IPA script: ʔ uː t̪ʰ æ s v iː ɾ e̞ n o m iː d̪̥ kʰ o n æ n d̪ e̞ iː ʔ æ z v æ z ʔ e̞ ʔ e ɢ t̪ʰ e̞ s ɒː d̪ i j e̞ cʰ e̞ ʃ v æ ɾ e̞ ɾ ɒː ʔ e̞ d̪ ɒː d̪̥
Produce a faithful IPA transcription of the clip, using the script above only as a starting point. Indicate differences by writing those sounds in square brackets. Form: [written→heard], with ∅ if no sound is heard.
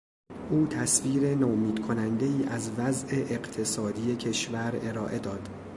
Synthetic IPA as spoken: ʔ uː t̪ʰ æ s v iː ɾ e̞ n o m iː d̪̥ kʰ o n æ n d̪ e̞ iː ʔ æ z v æ z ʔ e̞ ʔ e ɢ t̪ʰ e̞ s ɒː d̪ i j e̞ cʰ e̞ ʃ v æ ɾ e̞ ɾ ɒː ʔ e̞ d̪ ɒː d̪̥